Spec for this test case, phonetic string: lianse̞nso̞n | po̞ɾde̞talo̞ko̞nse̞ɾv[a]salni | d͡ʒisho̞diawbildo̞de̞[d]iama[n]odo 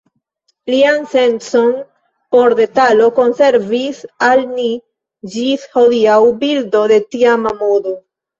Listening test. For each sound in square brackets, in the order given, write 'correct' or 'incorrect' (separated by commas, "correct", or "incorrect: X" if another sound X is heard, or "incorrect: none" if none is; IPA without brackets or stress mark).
incorrect: i, incorrect: t, incorrect: m